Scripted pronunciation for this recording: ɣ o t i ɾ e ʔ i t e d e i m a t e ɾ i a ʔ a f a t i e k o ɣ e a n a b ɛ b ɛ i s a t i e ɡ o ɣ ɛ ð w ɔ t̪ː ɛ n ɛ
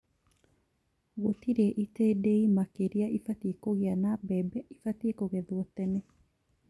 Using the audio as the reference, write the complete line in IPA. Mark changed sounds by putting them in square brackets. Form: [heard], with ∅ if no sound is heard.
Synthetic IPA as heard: ɣ o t i ɾ e ʔ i t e d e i m a [k] e ɾ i a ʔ [i] f a t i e k o ɣ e a n a b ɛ b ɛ i [f] a t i e [k] o ɣ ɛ ð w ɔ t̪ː ɛ n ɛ